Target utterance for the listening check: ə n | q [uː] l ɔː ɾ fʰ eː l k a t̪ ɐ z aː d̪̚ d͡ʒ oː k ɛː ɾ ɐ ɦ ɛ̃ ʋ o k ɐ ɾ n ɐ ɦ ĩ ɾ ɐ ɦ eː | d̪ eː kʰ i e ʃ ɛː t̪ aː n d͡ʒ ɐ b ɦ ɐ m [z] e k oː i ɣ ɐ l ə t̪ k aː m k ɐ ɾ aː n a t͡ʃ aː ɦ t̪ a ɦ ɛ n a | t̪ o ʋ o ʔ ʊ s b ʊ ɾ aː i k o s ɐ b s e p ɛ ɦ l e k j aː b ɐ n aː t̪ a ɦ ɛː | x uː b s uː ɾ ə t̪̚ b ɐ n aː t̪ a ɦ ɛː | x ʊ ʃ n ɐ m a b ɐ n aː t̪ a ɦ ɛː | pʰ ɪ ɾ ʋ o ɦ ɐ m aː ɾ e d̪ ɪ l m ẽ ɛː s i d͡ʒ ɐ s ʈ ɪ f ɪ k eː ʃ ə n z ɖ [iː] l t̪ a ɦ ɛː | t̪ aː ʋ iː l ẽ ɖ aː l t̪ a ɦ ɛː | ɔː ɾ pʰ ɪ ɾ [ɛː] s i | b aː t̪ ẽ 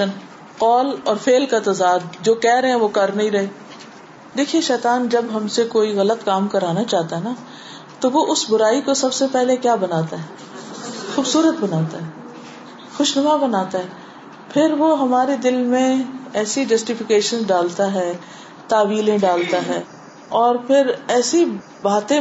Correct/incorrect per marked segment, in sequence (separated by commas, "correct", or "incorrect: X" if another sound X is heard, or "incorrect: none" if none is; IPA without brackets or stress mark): incorrect: ɔː, incorrect: s, incorrect: aː, correct